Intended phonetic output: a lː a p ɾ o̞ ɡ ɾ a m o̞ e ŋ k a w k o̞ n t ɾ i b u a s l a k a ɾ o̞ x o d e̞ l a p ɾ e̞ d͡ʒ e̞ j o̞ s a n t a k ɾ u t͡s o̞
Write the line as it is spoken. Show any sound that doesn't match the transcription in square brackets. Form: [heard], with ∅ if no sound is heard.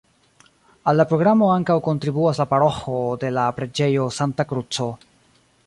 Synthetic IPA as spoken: a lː a p ɾ o̞ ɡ ɾ a m o̞ [a] ŋ k a w k o̞ n t ɾ i b u a s l a [p] a ɾ o̞ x o d e̞ l a p ɾ e̞ d͡ʒ e̞ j o̞ s a n t a k ɾ u t͡s o̞